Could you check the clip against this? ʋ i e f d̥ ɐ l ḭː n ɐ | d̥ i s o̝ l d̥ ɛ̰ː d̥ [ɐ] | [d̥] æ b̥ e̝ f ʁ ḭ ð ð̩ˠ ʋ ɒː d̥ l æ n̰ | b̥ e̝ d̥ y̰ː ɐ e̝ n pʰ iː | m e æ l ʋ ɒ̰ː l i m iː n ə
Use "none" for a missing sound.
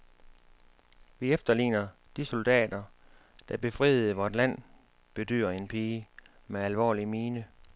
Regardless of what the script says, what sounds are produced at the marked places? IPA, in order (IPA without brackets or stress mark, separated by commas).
ɐ, d̥